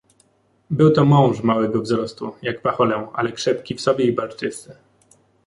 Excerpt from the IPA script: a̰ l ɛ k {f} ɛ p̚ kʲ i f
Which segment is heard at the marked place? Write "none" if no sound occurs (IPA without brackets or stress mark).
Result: ʂ